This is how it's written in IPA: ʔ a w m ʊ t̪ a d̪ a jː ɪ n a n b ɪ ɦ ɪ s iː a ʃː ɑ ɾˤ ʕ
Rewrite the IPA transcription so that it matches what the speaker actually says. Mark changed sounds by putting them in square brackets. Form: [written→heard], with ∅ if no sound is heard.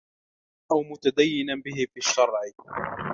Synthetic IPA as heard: ʔ a w m ʊ t̪ a d̪ a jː ɪ n a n b ɪ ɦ ɪ [s→f] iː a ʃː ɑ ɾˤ ʕ